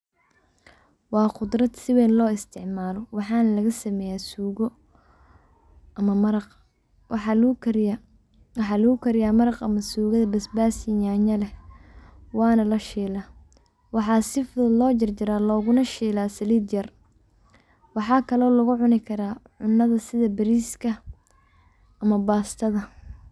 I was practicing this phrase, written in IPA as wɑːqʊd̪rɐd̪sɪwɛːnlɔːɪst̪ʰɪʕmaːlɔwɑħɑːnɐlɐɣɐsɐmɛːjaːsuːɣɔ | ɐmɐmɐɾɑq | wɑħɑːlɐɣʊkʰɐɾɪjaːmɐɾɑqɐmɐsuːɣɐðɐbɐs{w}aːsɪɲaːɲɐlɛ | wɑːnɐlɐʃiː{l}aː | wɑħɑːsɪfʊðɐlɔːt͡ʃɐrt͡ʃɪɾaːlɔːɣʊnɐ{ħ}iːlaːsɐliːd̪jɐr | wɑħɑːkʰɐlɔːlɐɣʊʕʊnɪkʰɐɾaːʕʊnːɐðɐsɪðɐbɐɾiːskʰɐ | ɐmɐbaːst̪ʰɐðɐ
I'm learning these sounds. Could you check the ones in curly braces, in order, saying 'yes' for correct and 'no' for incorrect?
no, yes, no

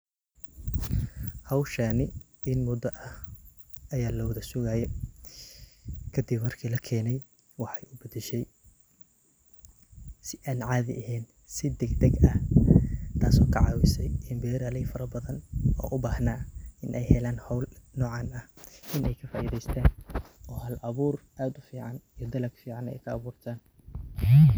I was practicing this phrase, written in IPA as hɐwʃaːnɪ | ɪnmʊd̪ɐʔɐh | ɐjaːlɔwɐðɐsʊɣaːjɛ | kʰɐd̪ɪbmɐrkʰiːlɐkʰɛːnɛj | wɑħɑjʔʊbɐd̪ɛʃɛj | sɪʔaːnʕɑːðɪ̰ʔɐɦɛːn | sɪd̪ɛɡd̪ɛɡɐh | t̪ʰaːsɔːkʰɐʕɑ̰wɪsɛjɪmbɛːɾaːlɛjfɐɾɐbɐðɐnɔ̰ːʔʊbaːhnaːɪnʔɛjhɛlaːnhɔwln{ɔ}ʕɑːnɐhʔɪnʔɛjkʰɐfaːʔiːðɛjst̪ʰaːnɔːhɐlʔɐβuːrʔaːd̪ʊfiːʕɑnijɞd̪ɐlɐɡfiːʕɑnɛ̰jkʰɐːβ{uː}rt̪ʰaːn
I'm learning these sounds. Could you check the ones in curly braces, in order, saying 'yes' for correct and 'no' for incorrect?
no, yes

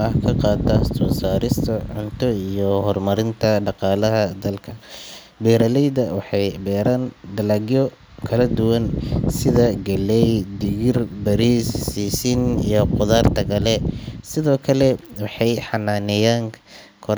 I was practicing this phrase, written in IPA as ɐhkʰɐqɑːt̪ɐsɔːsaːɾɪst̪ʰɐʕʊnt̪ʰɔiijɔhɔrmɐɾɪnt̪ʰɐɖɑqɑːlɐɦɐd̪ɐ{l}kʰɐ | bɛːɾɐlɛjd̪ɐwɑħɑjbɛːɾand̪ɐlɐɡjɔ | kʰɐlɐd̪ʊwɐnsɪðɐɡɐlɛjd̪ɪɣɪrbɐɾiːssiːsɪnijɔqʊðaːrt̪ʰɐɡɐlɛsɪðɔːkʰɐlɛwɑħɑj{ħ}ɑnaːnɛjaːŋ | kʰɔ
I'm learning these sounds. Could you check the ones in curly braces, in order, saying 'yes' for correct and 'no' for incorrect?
yes, yes

